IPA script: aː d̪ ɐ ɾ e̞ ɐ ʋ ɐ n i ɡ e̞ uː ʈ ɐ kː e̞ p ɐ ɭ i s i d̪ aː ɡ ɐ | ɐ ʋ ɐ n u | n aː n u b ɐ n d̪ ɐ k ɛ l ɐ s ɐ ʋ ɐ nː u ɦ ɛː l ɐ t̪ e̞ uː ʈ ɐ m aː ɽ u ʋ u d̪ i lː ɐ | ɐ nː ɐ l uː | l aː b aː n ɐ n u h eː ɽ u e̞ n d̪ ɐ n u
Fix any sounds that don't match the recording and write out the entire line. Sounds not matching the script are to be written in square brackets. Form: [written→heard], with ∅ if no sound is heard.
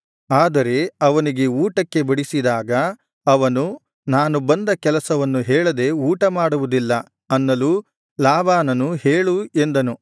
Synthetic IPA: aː d̪ ɐ ɾ e̞ ɐ ʋ ɐ n i ɡ e̞ uː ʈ ɐ kː e̞ [p→b] ɐ [ɭ→ɽ] i s i d̪ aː ɡ ɐ | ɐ ʋ ɐ n u | n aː n u b ɐ n d̪ ɐ k ɛ l ɐ s ɐ ʋ ɐ nː u ɦ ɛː [l→ɭ] ɐ [t̪→d̪] e̞ uː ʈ ɐ m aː ɽ u ʋ u d̪ i lː ɐ | ɐ nː ɐ l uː | l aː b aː n ɐ n u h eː [ɽ→ɭ] u e̞ n d̪ ɐ n u

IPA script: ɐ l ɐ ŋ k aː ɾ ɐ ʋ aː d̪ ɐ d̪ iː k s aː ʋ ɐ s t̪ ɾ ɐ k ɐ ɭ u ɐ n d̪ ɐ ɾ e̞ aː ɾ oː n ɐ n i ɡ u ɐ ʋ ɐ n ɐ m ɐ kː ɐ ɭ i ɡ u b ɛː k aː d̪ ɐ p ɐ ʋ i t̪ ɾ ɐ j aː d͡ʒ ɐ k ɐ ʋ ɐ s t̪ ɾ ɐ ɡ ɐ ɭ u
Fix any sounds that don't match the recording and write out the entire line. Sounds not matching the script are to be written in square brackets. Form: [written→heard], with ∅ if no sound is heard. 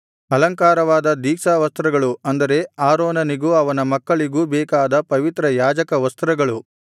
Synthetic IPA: ɐ l ɐ ŋ k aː ɾ ɐ ʋ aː d̪ ɐ d̪ iː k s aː ʋ ɐ s t̪ ɾ ɐ [k→ɡ] ɐ ɭ u ɐ n d̪ ɐ ɾ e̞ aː ɾ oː n ɐ n i ɡ u ɐ ʋ ɐ n ɐ m ɐ kː ɐ ɭ i ɡ u b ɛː k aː d̪ ɐ p ɐ ʋ i t̪ ɾ ɐ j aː d͡ʒ ɐ k ɐ ʋ ɐ s t̪ ɾ ɐ ɡ ɐ ɭ u

